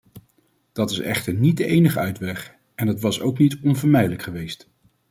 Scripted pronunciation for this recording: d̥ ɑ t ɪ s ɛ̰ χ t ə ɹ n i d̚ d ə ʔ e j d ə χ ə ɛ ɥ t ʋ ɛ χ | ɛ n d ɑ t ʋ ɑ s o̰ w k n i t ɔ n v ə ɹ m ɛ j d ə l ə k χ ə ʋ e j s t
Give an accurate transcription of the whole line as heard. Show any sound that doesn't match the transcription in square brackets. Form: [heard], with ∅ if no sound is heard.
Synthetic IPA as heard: d̥ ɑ t ɪ s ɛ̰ χ t ə ɹ n i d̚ d ə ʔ e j [n] ə χ ə [œ] ɥ t ʋ ɛ χ | ɛ n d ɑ t ʋ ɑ s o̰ w k n i t ɔ n v ə ɹ m ɛ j d ə l ə k χ ə ʋ e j s t